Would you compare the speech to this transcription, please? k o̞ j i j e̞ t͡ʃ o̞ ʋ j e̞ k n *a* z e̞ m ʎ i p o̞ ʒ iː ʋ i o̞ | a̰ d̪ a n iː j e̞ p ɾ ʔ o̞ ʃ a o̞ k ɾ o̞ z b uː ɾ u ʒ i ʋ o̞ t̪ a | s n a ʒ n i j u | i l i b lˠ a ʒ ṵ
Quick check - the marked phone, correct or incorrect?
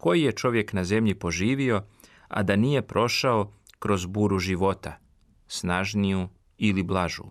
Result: correct